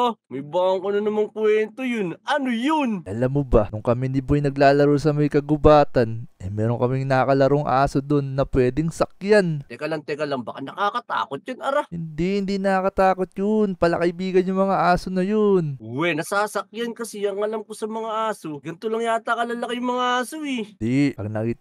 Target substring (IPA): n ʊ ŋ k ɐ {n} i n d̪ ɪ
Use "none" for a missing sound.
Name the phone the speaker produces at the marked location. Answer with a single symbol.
m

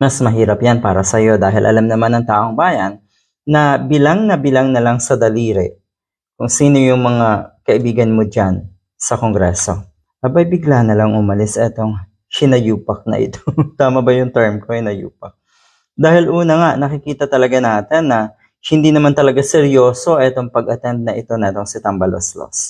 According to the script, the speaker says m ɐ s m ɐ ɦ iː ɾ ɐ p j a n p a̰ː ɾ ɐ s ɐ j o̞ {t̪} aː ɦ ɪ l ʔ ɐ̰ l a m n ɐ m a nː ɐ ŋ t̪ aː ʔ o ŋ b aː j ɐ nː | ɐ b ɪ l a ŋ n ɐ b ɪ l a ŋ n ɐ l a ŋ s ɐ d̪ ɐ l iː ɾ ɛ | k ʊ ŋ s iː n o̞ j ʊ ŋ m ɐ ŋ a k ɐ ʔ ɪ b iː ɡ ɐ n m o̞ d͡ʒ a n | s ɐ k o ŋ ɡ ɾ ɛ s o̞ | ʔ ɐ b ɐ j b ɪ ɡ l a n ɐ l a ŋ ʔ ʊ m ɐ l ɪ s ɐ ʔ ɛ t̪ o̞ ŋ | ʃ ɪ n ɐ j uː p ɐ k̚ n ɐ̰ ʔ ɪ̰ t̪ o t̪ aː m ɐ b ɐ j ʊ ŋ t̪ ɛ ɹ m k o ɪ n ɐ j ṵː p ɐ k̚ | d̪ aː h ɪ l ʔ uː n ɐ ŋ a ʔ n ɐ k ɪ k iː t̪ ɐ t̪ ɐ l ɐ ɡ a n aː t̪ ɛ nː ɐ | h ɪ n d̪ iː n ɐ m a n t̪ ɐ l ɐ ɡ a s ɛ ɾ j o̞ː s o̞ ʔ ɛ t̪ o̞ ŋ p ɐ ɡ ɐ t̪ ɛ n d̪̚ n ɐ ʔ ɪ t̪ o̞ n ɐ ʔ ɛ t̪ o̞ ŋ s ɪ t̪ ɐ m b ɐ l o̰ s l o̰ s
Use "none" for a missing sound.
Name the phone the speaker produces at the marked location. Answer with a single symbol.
d̪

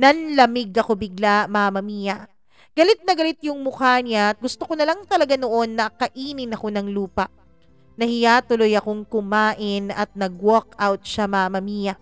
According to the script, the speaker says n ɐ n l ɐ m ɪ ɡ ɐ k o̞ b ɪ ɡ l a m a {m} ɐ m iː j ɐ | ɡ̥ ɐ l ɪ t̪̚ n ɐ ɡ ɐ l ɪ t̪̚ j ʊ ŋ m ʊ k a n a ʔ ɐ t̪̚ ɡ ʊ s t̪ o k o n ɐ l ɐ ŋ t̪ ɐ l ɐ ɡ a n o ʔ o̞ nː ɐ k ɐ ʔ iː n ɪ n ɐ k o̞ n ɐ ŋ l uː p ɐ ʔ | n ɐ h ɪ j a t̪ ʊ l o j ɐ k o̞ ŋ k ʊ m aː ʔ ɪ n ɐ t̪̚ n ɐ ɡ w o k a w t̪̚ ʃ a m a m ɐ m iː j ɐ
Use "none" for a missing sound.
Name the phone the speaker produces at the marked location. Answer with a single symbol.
m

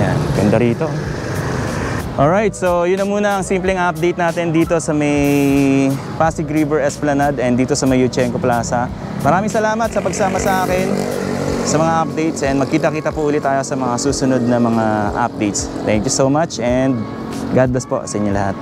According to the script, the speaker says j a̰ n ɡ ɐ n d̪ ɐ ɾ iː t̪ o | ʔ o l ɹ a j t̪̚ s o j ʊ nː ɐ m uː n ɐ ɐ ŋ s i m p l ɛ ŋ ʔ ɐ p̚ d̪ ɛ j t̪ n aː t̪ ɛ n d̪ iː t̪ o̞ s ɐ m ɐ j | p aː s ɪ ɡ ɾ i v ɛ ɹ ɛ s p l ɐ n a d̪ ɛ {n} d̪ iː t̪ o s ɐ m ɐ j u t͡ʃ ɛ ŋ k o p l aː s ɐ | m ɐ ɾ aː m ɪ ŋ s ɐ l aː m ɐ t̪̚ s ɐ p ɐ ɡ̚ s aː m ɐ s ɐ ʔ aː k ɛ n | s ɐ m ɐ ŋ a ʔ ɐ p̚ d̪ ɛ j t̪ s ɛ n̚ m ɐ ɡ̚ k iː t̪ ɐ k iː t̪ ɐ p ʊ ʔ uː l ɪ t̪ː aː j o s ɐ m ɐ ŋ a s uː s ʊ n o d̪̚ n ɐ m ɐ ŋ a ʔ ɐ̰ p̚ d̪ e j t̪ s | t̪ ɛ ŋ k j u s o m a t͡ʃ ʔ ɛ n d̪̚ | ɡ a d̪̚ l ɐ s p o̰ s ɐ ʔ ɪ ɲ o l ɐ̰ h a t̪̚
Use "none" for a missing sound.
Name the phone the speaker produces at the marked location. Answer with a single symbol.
n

